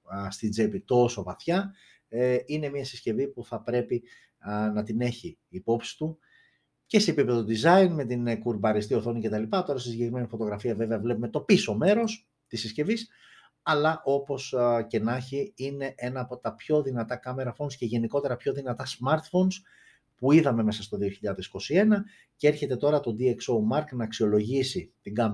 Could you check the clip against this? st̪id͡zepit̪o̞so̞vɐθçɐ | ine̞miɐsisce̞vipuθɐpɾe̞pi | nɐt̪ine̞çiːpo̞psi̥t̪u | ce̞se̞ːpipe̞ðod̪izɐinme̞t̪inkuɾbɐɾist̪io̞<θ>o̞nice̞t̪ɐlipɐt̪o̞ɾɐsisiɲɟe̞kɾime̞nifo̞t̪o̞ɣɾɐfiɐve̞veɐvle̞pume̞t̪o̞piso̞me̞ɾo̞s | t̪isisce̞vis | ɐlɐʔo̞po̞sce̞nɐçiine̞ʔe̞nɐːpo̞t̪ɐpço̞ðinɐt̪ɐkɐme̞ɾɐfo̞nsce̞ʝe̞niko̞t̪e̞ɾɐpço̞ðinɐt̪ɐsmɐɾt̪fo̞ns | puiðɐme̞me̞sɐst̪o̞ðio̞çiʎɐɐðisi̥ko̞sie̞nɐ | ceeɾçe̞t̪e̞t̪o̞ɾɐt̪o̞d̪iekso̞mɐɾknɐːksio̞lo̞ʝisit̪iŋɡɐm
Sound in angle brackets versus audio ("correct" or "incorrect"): correct